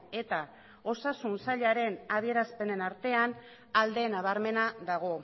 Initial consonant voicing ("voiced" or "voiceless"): voiceless